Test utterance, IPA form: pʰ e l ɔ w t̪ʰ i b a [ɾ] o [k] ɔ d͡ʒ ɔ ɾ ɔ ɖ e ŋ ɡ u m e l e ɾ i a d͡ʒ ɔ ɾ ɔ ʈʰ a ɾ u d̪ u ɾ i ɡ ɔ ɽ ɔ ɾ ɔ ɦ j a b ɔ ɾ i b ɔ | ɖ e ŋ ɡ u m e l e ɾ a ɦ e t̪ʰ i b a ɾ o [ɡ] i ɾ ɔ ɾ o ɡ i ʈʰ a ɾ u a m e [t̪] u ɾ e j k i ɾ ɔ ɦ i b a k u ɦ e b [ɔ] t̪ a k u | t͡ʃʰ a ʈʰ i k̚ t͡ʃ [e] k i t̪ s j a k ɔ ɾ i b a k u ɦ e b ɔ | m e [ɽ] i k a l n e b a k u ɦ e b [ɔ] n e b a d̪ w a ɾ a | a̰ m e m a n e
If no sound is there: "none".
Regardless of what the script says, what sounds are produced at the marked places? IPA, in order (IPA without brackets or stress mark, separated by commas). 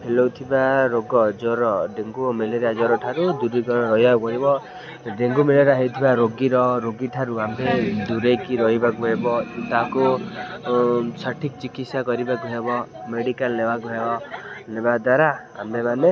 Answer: ɾ, ɡ, ɡ, d̪, ɔ, i, ɽ, ɔ